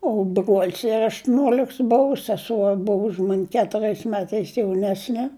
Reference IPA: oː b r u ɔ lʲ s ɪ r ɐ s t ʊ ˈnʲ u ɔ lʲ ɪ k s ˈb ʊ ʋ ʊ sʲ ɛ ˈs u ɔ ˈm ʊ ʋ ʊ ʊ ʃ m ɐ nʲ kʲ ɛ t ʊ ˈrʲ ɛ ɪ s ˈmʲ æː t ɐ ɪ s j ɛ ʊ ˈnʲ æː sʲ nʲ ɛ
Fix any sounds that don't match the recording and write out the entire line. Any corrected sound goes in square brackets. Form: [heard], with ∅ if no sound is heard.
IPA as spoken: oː b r u ɔ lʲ s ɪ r ɐ [ʃ] t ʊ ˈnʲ u ɔ lʲ ɪ k s ˈb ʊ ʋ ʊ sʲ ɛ ˈs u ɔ [ˈb] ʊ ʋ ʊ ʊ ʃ m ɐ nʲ kʲ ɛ t ʊ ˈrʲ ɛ ɪ s ˈmʲ æː t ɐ ɪ s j ɛ ʊ ˈnʲ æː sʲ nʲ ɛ